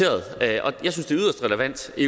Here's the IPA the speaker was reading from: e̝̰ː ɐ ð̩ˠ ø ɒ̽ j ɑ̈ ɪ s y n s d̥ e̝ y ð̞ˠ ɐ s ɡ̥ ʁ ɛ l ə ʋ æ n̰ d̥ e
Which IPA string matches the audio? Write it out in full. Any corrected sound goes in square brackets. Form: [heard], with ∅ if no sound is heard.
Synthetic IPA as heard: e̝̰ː ɐ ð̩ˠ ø ɒ̽ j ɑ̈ ɪ s y n s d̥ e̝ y ð̞ˠ ɐ s [d̥] ʁ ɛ l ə ʋ æ n̰ d̥ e